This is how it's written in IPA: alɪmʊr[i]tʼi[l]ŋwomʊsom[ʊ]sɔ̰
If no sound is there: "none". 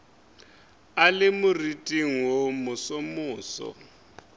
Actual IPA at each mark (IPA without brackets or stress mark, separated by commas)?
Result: i, none, ʊː